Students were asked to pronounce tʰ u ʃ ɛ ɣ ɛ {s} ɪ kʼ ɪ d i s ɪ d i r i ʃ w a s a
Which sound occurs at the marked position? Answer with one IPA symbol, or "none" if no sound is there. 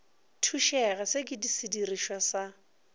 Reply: s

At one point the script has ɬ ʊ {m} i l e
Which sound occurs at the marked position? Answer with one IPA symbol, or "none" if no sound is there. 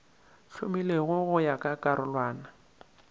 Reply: m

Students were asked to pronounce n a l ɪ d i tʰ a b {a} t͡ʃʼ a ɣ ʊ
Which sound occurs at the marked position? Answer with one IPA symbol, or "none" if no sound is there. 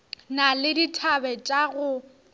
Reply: ɛ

